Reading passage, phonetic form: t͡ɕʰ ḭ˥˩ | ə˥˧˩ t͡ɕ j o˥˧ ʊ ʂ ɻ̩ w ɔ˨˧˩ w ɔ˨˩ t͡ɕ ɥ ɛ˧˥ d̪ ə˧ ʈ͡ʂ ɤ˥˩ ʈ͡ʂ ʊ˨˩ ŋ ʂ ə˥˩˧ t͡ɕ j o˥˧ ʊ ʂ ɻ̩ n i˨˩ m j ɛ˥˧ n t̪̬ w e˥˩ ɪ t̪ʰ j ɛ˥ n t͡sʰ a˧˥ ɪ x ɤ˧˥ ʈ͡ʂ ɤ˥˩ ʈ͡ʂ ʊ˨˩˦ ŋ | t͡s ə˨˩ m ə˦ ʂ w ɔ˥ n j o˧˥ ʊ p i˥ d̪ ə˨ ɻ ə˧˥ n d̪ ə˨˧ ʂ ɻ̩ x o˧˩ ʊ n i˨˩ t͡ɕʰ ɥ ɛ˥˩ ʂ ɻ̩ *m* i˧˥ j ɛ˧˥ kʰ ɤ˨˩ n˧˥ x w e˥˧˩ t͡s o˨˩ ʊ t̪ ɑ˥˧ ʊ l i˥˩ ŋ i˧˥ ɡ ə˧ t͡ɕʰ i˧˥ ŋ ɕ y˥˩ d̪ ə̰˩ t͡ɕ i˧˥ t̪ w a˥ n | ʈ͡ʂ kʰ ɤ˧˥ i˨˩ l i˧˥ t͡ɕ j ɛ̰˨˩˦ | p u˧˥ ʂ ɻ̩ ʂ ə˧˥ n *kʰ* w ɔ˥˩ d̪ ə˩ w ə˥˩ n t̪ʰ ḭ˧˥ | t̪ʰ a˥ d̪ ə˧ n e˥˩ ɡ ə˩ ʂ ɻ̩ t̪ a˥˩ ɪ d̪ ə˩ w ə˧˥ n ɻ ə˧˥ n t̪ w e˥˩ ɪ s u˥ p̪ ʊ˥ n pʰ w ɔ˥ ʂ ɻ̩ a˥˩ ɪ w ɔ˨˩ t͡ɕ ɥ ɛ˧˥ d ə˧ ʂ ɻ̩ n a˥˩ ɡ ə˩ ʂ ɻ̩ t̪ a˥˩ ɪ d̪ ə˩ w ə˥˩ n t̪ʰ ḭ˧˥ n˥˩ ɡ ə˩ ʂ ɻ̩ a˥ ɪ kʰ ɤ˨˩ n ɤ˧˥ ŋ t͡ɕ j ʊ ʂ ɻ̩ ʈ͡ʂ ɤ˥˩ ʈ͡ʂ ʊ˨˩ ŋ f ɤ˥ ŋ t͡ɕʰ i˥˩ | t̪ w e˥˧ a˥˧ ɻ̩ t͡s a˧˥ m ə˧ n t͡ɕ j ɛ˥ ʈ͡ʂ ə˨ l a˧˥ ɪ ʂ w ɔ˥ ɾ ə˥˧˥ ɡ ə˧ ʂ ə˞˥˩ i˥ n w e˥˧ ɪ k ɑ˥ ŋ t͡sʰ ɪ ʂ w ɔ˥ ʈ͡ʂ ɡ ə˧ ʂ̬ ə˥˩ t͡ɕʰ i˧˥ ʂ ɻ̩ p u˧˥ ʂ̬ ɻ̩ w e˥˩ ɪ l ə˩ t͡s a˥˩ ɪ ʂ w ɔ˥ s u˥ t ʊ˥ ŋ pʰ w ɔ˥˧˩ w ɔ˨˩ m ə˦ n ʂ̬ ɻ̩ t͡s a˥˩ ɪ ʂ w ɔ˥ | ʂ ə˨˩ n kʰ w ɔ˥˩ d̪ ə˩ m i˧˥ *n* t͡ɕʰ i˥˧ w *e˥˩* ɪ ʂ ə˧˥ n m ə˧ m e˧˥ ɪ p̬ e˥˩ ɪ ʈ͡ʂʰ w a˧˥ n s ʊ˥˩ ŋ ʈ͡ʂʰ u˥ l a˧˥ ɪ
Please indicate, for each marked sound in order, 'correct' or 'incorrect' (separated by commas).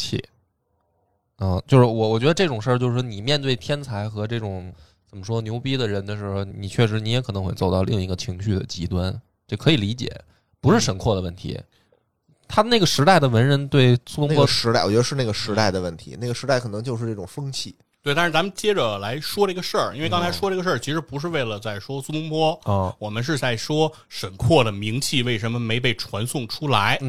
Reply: incorrect, correct, incorrect, correct